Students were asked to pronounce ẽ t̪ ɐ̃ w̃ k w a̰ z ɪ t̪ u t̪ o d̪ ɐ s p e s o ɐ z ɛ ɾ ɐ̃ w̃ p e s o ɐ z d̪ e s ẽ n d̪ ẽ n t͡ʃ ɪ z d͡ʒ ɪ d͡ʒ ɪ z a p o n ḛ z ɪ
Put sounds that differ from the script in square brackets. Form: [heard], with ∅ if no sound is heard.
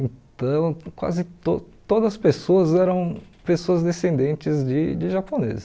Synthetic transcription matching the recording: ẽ t̪ ɐ̃ w̃ k w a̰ z ɪ t̪ [o] t̪ o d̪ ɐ s p e s o ɐ z ɛ ɾ ɐ̃ w̃ p e s o ɐ z d̪ e s ẽ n d̪ ẽ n t͡ʃ ɪ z d͡ʒ ɪ d͡ʒ ɪ [ʒ] a p o n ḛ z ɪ

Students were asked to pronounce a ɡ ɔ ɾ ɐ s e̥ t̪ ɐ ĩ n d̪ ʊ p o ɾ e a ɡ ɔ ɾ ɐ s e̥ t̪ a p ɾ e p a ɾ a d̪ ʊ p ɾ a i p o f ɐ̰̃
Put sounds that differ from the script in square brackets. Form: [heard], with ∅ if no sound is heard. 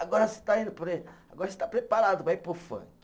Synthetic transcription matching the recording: a ɡ ɔ ɾ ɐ s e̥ t̪ [a] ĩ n d̪ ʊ p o ɾ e a ɡ ɔ ɾ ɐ s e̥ t̪ a p ɾ e p a ɾ a d̪ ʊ p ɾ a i p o f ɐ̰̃

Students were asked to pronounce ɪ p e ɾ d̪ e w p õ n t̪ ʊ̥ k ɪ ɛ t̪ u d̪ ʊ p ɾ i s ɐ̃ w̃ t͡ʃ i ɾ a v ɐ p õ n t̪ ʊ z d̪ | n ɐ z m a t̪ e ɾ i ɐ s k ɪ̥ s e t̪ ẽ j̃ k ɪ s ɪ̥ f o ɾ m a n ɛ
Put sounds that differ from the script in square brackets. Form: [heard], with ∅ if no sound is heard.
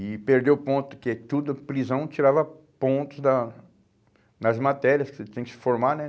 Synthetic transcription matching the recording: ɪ p e ɾ d̪ e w p õ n t̪ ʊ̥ k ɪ ɛ t̪ u d̪ ʊ p ɾ i [z] ɐ̃ w̃ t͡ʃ i ɾ a v ɐ p õ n t̪ ʊ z d̪ | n ɐ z m a t̪ [ɛ] ɾ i ɐ s k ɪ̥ s e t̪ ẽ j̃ k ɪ s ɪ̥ f o ɾ m a n ɛ

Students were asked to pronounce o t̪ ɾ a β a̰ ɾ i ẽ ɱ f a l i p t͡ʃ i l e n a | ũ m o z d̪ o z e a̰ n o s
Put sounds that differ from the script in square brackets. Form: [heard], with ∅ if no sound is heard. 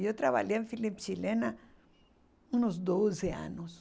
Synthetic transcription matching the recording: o t̪ ɾ a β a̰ [ʎ] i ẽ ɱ f [i] l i p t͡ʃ i l e n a | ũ [n] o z d̪ o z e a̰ n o s

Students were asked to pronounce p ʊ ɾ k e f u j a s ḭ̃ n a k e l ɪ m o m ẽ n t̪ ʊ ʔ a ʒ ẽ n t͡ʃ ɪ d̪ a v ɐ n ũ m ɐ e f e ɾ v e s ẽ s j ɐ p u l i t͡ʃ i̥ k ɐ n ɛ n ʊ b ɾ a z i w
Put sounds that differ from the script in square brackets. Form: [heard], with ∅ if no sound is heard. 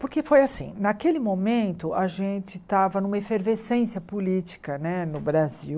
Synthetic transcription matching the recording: p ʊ ɾ k e f [o] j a s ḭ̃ n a k e l ɪ m o m ẽ n t̪ ʊ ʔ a ʒ ẽ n t͡ʃ ɪ [t̪] a v ɐ n ũ m ɐ e f e ɾ v e s ẽ s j ɐ p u l i t͡ʃ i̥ k ɐ n ɛ n ʊ b ɾ a z i w

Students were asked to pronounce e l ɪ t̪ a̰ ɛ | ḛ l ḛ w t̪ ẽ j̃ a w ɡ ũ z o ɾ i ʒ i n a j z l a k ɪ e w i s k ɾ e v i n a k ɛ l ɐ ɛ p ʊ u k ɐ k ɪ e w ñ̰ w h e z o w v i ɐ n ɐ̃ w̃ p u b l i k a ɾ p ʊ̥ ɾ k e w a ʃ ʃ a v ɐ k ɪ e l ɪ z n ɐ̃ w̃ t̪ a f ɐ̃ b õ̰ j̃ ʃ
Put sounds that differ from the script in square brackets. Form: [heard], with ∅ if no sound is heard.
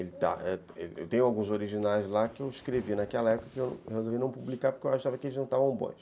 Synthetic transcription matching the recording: e l ɪ t̪ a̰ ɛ | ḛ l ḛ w t̪ ẽ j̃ a w ɡ ũ z o ɾ i ʒ i n a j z l a k ɪ e w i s k ɾ e v i n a k ɛ l ɐ ɛ p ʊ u k ɐ k ɪ e w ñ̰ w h e z o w v i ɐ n ɐ̃ w̃ p u b l i k a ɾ p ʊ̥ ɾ k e w a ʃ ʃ a v ɐ k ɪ e l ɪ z n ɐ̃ w̃ t̪ a [v] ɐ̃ b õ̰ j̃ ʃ

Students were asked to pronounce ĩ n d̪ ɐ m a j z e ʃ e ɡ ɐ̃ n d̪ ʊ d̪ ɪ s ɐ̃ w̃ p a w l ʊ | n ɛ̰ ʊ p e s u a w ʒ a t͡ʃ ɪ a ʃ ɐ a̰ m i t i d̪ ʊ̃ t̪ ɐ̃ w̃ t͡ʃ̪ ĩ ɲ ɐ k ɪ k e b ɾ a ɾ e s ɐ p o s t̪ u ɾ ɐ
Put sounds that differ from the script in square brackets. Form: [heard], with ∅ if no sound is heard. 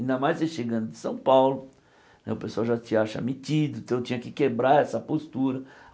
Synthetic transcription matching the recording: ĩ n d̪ ɐ m a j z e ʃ e ɡ ɐ̃ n d̪ ʊ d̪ ɪ s ɐ̃ w̃ p a w l ʊ | n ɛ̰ ʊ p e s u a w ʒ a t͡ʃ ɪ a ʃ ɐ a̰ m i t i d̪ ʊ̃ t̪ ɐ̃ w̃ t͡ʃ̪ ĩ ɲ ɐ k ɪ k e b ɾ a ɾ [ɛ] s ɐ p o s t̪ u ɾ ɐ

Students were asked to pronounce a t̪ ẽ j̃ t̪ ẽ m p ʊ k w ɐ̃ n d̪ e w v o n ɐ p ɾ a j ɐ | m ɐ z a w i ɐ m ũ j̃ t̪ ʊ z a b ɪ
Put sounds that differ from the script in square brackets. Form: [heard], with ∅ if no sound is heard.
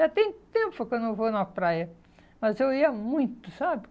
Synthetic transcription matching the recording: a t̪ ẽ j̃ t̪ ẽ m p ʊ k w ɐ̃ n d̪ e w v o n ɐ p ɾ a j ɐ | m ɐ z [e] w i ɐ m ũ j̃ t̪ ʊ [s] a b ɪ

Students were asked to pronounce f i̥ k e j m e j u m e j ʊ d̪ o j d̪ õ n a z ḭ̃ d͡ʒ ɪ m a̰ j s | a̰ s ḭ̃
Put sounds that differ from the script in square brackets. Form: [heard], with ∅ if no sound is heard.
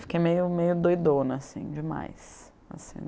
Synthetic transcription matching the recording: f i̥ k e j m e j [ʊ] m e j ʊ d̪ o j d̪ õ n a [s] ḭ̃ d͡ʒ ɪ m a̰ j s | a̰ s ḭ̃

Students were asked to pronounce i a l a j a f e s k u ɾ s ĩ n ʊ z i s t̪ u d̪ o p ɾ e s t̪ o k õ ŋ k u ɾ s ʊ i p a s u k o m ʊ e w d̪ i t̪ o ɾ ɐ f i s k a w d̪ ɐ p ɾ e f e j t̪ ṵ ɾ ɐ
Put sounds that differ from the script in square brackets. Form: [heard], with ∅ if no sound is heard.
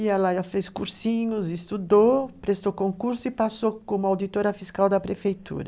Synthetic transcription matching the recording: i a l a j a f e s k u ɾ s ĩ [ɲ] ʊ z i s t̪ u d̪ o p ɾ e s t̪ o k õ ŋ k u ɾ s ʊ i p a s [o] k o m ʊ [a] w d̪ i t̪ o ɾ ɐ f i s k a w d̪ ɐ p ɾ e f e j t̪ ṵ ɾ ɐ

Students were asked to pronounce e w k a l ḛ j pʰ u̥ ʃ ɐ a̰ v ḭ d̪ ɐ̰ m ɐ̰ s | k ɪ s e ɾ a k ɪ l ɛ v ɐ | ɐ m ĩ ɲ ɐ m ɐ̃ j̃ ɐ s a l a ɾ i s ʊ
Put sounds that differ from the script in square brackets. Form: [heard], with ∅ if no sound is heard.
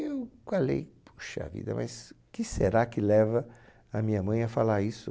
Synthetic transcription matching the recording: e w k a l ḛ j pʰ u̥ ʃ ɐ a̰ v ḭ d̪ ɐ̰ m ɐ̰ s | k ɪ s e ɾ a k ɪ l ɛ v ɐ | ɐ m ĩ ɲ ɐ m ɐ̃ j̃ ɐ [f] a l a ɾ i s ʊ

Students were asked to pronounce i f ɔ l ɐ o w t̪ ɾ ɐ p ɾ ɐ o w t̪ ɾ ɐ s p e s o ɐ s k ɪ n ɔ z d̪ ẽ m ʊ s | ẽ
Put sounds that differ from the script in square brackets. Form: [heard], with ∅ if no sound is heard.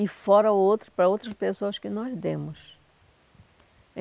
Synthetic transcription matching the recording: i f ɔ [ɾ] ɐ o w t̪ ɾ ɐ p ɾ ɐ o w t̪ ɾ ɐ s p e s o ɐ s k ɪ n ɔ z d̪ ẽ m ʊ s | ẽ

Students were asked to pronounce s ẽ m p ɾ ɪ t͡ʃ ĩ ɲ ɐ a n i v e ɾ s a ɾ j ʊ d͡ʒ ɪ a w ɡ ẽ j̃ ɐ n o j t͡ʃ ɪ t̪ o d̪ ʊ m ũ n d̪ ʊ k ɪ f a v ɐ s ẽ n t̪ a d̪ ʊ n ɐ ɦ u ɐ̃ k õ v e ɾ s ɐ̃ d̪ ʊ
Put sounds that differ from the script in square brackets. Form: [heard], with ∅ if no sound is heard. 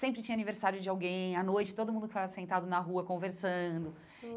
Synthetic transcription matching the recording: s ẽ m p ɾ ɪ t͡ʃ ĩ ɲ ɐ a n i v e ɾ s a ɾ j ʊ d͡ʒ ɪ a w ɡ ẽ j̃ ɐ n o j t͡ʃ ɪ t̪ o d̪ ʊ m ũ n d̪ ʊ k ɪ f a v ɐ s ẽ n t̪ a d̪ ʊ n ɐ ɦ u [ɐ] k õ v e ɾ s ɐ̃ d̪ ʊ

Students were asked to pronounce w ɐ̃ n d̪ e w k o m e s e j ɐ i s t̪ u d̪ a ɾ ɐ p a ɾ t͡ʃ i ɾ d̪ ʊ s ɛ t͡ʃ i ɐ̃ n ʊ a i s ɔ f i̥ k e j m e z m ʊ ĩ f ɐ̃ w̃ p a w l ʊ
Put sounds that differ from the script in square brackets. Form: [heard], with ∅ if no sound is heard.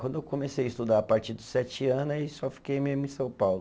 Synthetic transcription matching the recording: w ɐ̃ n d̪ e w k o m e s e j ɐ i s t̪ u d̪ a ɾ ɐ p a ɾ t͡ʃ i ɾ d̪ ʊ s ɛ t͡ʃ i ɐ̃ n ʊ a i s ɔ f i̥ k e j m e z m ʊ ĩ [s] ɐ̃ w̃ p a w l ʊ

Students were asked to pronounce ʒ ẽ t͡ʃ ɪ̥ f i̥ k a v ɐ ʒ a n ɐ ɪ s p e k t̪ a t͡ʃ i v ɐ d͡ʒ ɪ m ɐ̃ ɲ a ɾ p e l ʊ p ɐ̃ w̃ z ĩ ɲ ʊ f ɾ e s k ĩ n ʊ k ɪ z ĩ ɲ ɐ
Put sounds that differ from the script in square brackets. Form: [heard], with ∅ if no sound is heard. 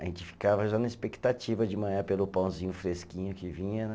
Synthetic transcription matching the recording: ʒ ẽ t͡ʃ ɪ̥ f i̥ k a v ɐ ʒ a n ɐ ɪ s p e k t̪ a t͡ʃ i v ɐ d͡ʒ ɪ m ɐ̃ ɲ a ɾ p e l ʊ p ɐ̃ w̃ z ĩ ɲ ʊ f ɾ e s k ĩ [ɲ] ʊ k ɪ [v] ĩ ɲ ɐ

